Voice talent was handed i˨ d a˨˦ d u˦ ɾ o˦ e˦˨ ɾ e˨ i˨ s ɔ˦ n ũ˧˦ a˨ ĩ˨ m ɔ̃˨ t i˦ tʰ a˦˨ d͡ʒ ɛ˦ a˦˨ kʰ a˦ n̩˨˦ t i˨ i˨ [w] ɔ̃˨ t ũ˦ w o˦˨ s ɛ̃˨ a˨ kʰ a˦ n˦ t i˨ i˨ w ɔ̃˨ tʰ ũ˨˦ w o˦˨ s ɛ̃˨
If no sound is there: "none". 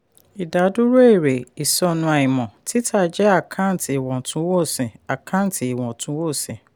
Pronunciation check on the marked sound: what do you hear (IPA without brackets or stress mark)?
w